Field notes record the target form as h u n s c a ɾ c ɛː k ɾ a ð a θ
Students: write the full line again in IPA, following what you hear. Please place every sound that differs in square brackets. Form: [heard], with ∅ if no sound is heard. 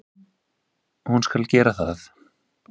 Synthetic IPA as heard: h u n s [k] a [l] c ɛː [∅] ɾ a [θ] a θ